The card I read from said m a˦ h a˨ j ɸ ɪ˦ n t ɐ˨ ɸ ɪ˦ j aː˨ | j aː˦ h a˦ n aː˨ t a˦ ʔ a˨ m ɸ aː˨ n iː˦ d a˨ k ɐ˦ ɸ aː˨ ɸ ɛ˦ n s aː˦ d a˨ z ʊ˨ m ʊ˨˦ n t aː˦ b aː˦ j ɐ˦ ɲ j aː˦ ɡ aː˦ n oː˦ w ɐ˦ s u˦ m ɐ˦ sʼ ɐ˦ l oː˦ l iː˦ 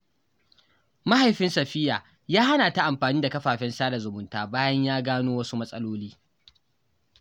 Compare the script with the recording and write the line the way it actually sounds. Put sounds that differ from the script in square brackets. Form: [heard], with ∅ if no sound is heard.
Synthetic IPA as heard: m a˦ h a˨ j ɸ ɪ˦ n [s] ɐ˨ ɸ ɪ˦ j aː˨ | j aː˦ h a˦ n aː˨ t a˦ ʔ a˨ m ɸ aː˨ n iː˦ d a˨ k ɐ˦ ɸ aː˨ ɸ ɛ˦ n s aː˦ d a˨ z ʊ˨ m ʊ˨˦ n t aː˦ b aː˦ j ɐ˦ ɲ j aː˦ ɡ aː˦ n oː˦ w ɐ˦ s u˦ m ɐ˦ sʼ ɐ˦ l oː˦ l iː˦